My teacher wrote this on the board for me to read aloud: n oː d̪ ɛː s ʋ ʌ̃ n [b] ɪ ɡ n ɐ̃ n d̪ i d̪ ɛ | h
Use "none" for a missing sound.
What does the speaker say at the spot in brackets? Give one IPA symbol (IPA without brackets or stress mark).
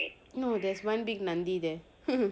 b